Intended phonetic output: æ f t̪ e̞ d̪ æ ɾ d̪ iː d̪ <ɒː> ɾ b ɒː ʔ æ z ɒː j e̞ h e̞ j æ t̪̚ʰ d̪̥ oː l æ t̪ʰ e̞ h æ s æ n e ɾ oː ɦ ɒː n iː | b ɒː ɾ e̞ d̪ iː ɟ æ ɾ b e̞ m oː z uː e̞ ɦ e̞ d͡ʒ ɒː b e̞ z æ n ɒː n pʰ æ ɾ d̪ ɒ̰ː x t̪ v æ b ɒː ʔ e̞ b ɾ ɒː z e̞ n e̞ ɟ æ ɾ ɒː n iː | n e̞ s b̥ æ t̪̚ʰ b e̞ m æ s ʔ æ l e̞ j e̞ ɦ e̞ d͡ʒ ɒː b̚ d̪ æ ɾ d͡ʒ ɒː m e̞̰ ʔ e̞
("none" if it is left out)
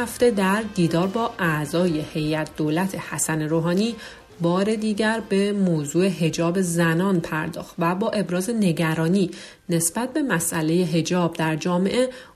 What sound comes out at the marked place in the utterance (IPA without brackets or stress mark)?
ɒː